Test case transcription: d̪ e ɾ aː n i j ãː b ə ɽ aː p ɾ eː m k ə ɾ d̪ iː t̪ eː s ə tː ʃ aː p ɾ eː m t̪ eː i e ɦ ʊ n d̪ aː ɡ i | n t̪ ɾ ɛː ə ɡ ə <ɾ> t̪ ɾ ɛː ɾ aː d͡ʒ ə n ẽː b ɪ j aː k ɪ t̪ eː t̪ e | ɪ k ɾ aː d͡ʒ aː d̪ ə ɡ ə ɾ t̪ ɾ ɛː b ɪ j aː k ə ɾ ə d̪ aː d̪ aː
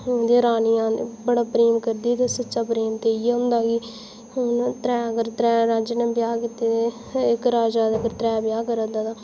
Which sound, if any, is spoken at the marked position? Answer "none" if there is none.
ɾ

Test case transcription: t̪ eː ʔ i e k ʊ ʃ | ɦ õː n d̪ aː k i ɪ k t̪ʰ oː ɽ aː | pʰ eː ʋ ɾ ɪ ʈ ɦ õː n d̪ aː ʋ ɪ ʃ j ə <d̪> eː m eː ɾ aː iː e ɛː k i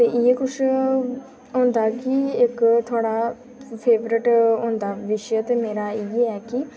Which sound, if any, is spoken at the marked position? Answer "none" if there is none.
t̪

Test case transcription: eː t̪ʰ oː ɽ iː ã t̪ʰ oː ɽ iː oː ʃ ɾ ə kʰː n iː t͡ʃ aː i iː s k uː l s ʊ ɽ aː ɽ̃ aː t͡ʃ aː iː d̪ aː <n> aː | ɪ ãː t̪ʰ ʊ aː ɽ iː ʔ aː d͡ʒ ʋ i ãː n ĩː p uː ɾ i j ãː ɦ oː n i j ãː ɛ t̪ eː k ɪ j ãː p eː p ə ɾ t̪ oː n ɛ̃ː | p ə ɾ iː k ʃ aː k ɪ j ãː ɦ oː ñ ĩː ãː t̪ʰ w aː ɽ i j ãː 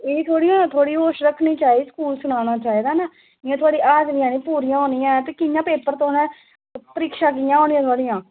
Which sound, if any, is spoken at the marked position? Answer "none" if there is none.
n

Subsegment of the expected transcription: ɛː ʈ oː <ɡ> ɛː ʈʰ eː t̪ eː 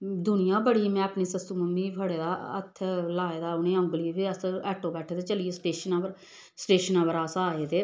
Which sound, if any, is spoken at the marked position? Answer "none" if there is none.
b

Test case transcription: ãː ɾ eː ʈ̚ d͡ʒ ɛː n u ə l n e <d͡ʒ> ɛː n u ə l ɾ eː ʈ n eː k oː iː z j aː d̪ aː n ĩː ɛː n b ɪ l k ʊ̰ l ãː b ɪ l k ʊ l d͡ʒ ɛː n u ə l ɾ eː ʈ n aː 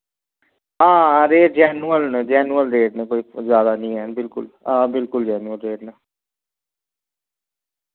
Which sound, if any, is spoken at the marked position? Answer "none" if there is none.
d͡ʒ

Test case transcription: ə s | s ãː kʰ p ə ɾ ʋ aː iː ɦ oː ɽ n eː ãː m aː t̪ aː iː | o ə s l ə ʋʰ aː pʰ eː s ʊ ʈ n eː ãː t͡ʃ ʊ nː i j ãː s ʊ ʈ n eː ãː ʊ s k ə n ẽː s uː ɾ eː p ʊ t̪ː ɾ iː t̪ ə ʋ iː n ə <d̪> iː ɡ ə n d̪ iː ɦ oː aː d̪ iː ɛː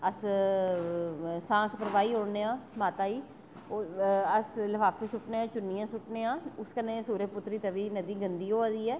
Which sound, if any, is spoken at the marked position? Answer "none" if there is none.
d̪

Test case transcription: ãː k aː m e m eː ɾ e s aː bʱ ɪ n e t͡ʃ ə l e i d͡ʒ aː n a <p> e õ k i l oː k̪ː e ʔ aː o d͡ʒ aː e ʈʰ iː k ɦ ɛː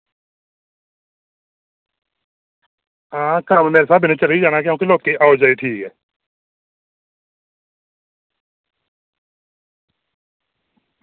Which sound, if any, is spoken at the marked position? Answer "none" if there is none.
k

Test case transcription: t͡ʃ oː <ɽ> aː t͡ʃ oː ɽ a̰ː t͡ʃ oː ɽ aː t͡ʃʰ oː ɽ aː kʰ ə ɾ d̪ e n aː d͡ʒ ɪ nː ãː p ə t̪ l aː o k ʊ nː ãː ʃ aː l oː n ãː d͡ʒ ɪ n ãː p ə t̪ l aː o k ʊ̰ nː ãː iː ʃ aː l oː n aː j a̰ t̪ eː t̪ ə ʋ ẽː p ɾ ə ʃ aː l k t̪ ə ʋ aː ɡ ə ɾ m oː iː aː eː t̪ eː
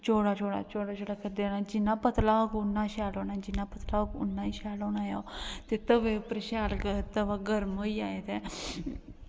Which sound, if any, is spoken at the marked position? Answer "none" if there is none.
ɽ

